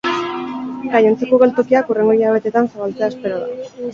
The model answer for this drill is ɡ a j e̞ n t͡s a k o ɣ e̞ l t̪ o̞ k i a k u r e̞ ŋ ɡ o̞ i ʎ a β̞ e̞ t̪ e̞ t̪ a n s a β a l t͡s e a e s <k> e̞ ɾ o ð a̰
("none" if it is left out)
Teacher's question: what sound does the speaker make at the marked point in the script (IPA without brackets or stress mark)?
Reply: p